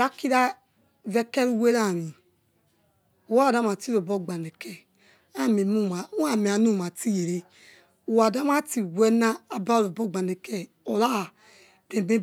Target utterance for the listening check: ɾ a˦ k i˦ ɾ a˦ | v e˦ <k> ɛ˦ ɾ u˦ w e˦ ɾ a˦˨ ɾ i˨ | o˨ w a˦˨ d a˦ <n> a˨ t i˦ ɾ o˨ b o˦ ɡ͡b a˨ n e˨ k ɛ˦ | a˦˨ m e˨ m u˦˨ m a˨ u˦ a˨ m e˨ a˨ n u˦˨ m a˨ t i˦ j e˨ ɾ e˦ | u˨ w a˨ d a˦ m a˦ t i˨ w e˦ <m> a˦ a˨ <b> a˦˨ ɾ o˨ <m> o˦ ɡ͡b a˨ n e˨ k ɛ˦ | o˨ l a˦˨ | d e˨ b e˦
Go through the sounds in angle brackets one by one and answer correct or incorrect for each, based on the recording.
correct, incorrect, incorrect, correct, incorrect

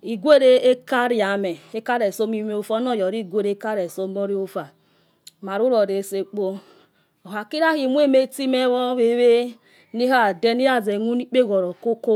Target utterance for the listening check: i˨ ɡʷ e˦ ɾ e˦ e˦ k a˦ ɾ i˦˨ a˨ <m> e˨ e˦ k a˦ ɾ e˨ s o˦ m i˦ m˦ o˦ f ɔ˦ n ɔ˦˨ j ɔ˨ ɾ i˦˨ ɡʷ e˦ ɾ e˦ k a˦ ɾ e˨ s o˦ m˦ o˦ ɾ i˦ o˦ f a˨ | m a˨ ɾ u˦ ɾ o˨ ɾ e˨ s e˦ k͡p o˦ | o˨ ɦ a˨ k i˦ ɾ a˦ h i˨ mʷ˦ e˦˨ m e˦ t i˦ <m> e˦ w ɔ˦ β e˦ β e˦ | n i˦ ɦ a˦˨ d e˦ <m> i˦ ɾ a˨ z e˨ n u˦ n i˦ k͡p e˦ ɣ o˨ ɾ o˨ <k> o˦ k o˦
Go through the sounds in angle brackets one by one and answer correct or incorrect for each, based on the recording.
correct, correct, incorrect, correct

